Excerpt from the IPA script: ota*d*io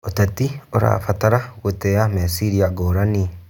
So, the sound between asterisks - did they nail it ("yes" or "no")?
no